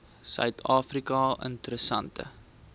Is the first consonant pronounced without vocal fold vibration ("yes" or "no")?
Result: yes